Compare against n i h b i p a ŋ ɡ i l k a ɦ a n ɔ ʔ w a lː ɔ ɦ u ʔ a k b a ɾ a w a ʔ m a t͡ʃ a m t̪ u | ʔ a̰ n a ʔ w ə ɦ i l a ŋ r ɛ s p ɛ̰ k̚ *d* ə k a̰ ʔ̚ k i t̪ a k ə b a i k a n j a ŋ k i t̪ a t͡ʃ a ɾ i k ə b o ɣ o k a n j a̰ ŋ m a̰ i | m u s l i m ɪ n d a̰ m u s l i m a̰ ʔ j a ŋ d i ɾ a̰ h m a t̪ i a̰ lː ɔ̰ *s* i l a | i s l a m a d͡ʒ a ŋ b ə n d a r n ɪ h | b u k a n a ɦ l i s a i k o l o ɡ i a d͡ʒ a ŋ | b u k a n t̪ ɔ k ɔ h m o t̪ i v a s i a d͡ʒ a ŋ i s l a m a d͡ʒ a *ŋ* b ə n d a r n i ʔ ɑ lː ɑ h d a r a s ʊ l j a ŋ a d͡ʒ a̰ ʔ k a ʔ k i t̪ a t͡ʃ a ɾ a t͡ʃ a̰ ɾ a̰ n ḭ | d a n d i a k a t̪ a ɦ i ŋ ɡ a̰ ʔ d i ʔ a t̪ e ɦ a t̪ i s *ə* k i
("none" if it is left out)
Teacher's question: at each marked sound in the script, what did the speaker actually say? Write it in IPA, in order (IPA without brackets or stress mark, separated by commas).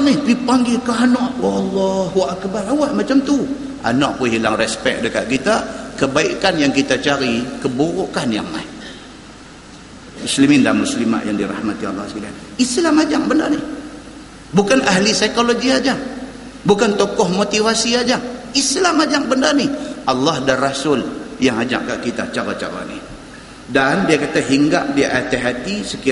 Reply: d, s, ŋ, ə